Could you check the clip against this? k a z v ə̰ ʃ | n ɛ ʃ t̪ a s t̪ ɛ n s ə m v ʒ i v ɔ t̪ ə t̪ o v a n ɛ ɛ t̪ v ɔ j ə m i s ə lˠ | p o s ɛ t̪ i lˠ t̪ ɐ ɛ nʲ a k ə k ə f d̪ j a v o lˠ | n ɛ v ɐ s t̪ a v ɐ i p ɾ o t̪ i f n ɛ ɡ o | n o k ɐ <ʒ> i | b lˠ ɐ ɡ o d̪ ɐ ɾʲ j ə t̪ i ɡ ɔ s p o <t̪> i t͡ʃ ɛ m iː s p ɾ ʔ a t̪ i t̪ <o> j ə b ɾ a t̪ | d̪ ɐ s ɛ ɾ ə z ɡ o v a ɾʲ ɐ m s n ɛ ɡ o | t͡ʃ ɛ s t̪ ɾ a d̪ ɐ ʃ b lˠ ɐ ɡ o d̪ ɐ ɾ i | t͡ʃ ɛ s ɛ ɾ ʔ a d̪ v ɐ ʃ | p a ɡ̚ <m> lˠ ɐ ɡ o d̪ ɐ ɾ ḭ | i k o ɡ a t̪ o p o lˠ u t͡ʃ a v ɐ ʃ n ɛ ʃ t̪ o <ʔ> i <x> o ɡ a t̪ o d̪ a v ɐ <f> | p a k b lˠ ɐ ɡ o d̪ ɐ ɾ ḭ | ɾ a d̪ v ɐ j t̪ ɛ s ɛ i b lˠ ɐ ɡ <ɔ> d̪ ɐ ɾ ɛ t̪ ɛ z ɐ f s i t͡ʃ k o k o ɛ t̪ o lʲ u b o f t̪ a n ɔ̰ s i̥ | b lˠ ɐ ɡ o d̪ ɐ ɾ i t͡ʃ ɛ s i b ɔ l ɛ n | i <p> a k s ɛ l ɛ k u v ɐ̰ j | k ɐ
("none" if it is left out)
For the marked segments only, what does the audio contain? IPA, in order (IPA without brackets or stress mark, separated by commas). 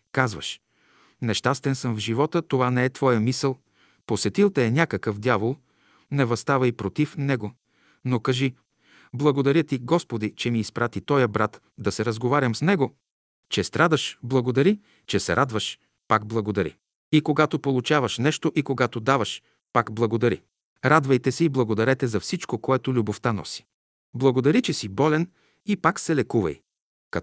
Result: ʒ, d̪, ɔ, b, ʔ, k, ʃ, o, p